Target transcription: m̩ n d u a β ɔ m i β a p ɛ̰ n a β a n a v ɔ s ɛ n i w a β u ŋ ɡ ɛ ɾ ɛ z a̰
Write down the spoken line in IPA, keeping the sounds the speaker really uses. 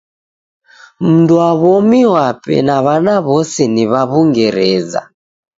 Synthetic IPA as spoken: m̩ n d u a β ɔ m i w a p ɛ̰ n a β a n a β ɔ s ɛ n i β a β u ŋ ɡ ɛ ɾ ɛ z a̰